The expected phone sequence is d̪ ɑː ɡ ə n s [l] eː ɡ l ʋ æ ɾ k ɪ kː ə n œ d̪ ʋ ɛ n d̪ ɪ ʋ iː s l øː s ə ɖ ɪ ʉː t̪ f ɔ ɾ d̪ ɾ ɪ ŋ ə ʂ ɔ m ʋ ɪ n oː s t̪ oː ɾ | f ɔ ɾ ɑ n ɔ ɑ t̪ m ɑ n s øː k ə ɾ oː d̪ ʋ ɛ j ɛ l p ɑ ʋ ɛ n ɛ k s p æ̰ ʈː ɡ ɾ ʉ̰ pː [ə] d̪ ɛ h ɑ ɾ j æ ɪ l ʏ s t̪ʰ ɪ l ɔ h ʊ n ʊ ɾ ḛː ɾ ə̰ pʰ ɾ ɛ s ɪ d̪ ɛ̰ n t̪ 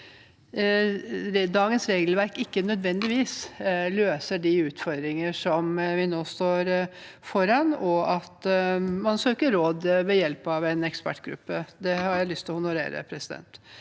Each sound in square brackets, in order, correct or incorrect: incorrect, correct

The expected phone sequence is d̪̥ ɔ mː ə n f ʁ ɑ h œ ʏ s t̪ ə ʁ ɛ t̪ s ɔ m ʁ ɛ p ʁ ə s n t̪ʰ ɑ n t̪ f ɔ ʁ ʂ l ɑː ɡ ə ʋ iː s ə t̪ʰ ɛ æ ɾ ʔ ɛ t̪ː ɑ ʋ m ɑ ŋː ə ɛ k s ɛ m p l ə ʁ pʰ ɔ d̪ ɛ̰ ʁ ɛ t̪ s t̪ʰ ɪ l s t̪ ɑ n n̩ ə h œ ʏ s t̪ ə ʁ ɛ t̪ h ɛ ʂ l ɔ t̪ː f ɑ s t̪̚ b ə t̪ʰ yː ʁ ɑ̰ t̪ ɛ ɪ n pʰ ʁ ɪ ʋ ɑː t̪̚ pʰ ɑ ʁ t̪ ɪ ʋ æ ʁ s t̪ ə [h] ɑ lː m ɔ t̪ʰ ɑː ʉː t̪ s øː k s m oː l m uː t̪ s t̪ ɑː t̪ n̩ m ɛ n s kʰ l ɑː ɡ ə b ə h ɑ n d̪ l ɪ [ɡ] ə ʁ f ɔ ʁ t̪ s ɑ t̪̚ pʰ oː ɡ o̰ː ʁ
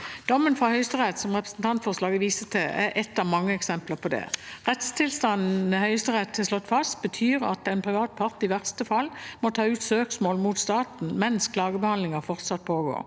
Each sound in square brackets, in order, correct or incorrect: incorrect, incorrect

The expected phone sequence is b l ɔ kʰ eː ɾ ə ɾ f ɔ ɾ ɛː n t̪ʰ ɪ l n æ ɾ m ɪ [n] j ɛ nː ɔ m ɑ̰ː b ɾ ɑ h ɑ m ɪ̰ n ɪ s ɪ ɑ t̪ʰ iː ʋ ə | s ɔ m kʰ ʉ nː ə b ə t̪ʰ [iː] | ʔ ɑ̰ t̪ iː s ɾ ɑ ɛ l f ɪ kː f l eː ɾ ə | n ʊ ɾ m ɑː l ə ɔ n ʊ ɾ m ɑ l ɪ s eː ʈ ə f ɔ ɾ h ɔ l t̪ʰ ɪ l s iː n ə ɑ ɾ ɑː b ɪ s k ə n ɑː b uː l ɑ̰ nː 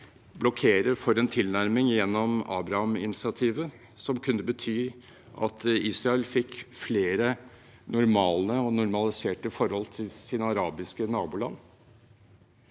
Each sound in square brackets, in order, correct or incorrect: incorrect, incorrect

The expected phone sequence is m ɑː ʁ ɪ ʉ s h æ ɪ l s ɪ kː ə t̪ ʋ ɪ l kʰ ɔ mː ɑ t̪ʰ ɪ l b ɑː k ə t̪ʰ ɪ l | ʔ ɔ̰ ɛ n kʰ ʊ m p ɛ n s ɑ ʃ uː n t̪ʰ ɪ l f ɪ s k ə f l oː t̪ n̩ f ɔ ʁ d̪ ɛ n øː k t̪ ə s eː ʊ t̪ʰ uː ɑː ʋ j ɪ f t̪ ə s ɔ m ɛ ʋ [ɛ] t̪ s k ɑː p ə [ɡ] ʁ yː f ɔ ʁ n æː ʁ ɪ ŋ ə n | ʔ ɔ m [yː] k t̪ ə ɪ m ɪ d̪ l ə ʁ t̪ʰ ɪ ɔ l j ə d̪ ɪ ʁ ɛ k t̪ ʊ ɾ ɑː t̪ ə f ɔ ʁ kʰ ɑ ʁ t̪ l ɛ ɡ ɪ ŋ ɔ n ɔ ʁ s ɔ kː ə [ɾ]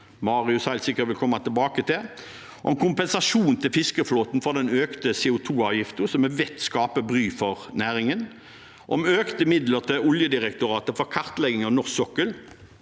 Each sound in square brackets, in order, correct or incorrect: correct, incorrect, incorrect, incorrect

